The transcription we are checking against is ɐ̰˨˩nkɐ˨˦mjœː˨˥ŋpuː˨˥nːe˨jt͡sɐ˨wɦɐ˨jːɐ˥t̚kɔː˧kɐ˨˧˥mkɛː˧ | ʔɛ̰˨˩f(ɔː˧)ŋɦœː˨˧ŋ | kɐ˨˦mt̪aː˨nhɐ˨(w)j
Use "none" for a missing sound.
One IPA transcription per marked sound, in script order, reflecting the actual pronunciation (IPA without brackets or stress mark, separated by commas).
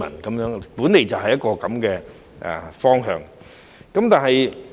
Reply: ɔː˥, none